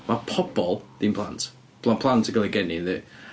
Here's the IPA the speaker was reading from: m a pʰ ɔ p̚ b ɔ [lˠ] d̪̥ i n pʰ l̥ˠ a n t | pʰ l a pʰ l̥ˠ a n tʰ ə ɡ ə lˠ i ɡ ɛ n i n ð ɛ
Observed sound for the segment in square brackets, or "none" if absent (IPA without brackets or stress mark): lˠ